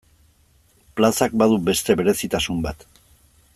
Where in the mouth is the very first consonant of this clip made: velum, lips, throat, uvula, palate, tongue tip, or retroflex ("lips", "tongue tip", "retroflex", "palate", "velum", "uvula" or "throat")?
lips